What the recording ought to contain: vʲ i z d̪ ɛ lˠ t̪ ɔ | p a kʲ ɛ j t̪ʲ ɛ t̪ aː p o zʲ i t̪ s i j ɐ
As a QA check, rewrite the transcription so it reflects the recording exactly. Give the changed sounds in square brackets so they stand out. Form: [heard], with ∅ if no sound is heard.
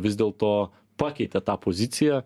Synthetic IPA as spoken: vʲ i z d̪ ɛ lˠ t̪ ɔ | p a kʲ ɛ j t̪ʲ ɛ t̪ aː p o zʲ i t̪ s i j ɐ